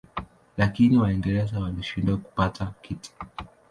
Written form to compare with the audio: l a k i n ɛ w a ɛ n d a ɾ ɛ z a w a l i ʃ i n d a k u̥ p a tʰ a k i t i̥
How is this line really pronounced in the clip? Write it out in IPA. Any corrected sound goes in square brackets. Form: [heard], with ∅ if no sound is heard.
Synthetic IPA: l a k i n [i] w a ɛ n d [ɛ] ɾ ɛ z a w a l i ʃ i n d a k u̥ p a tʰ a k i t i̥